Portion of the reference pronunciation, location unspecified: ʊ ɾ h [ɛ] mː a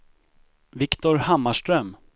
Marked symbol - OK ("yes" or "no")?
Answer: no